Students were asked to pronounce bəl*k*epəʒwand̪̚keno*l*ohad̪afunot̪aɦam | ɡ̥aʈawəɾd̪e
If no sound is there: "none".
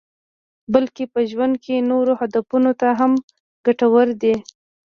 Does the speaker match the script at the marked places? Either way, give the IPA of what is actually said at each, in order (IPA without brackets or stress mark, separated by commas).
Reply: k, ɾ